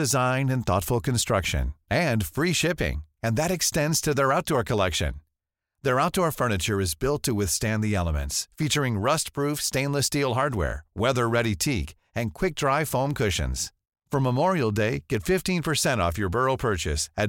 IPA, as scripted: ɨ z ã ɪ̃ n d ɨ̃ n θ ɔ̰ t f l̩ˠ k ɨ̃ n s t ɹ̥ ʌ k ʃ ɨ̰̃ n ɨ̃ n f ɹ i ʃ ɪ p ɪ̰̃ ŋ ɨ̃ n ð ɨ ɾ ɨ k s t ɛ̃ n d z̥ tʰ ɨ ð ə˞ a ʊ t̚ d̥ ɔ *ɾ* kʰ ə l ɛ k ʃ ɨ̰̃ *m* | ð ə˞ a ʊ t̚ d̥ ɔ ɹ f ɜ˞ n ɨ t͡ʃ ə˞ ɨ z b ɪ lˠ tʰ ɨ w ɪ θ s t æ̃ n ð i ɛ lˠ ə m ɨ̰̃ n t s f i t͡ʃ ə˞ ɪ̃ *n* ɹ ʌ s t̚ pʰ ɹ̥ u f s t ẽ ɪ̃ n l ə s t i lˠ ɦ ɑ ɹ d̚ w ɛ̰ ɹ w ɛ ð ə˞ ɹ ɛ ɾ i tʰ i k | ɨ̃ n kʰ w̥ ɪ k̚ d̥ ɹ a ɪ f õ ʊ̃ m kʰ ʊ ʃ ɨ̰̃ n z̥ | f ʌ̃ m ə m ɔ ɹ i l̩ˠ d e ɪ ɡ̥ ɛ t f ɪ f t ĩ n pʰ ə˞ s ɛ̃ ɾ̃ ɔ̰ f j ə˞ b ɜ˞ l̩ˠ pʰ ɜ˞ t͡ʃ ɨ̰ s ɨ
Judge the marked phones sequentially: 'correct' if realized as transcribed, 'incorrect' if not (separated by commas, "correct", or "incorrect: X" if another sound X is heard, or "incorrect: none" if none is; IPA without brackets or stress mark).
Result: incorrect: ɹ, incorrect: n, incorrect: ŋ